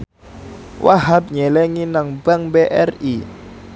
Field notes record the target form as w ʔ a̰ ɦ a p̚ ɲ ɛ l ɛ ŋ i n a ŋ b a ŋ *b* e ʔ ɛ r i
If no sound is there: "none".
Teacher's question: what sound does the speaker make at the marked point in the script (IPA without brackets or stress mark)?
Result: b